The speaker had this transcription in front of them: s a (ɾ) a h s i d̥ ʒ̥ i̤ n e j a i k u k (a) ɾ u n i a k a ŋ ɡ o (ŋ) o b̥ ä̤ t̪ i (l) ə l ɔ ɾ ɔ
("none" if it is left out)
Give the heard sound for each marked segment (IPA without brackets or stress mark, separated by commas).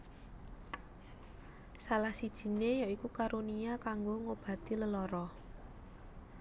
l, a, ŋ, l